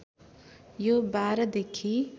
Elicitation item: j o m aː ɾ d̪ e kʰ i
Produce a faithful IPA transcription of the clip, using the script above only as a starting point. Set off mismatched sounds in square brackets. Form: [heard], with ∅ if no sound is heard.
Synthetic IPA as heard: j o [b] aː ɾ d̪ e kʰ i